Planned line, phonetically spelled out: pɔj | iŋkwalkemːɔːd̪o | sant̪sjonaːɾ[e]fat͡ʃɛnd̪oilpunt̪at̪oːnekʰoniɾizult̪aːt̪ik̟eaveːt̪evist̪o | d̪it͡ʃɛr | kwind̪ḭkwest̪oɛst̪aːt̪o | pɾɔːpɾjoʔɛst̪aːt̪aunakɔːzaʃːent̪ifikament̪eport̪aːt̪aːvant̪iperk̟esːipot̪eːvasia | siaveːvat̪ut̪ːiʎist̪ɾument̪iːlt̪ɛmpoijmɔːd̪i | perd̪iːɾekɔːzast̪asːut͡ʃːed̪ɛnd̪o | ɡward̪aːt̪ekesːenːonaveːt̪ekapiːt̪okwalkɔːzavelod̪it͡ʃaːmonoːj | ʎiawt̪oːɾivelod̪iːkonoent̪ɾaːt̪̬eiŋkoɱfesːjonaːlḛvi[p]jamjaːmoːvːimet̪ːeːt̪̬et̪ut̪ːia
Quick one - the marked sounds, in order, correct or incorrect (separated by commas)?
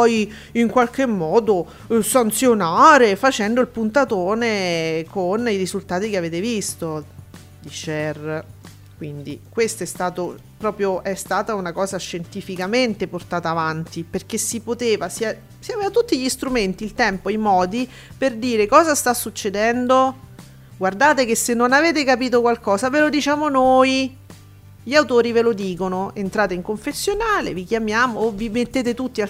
correct, incorrect